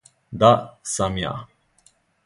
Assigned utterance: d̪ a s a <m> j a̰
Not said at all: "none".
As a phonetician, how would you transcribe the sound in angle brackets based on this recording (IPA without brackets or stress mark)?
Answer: m